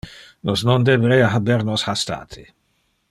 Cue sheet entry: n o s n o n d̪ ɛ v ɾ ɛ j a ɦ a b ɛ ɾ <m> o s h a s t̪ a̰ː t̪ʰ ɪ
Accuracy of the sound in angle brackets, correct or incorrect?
incorrect